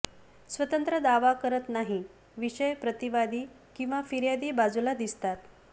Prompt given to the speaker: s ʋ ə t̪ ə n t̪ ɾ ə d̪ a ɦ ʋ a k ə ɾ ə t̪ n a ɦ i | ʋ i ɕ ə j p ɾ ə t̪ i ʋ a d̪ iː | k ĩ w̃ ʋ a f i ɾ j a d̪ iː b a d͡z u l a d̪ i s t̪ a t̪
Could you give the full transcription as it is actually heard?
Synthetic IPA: s ʋ ə t̪ ə n t̪ ɾ ə d̪ a ʋ a k ə ɾ ə t̪ n a ɦ i | ʋ i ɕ ə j p ɾ ə t̪ i ʋ a d̪ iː | k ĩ w̃ ʋ a f i ɾ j a d̪ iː b a d͡z u l a d̪ i s t̪ a t̪